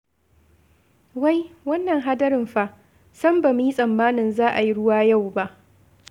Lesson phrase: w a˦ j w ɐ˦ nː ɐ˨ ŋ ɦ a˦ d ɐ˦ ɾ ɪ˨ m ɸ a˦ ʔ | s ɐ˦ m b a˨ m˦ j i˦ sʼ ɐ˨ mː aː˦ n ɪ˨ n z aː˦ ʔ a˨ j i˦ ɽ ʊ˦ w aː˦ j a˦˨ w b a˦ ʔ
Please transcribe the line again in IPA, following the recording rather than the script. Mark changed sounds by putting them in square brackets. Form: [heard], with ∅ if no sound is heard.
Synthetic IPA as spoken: w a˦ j w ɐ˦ nː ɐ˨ ŋ ɦ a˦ d ɐ˦ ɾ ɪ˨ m ɸ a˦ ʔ | s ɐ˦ m b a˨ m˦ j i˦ sʼ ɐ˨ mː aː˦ n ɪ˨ n z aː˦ ʔ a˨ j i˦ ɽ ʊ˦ w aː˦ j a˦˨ w b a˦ ʔ